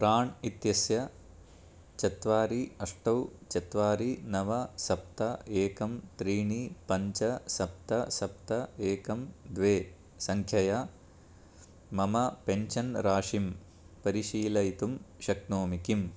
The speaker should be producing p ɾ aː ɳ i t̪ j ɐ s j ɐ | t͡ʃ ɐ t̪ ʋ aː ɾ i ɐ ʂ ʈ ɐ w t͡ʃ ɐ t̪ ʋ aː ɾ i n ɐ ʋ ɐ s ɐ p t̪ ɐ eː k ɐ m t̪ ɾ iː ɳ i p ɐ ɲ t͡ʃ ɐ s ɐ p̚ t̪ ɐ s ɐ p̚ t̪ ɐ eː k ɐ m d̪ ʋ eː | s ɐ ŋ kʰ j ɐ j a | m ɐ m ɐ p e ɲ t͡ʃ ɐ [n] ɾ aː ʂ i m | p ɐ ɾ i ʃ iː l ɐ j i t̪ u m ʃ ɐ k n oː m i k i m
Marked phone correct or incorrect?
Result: correct